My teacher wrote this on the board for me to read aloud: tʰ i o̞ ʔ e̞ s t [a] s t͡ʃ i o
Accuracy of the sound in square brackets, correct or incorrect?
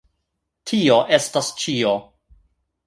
correct